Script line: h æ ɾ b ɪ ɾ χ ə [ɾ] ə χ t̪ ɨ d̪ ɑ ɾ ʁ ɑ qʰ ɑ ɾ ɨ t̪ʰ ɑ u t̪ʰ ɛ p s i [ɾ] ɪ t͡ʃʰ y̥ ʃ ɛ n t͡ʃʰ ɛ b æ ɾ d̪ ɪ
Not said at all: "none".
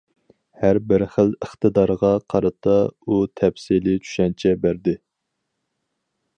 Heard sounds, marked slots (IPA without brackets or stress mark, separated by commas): l, l